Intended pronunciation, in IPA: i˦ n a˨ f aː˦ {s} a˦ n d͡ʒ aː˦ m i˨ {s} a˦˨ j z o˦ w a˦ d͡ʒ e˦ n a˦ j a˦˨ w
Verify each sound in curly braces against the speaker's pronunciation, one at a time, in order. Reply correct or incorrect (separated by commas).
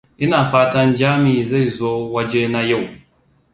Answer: incorrect, incorrect